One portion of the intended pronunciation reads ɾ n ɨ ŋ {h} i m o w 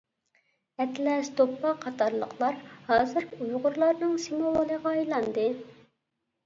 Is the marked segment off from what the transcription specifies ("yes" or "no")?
yes